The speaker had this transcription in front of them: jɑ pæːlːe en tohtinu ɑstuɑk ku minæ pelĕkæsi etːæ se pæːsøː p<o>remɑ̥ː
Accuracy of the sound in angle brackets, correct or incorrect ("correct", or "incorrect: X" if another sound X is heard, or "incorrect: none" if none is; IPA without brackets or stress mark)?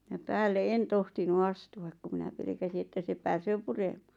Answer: incorrect: u